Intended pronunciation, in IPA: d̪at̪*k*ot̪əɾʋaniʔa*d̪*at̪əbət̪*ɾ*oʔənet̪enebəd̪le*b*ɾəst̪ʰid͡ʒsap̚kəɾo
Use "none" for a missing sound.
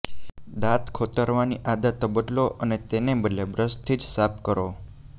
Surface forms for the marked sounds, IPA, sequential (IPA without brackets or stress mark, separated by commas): kʰ, d̪, l, b